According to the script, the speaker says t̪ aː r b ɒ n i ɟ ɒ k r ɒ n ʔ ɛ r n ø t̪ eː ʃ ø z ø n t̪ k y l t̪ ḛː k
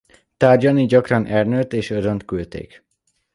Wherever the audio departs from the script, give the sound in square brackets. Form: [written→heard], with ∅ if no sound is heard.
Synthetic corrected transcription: t̪ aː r [b→ɟ] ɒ n i ɟ ɒ k r ɒ n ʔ ɛ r n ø t̪ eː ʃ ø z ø n t̪ k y l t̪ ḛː k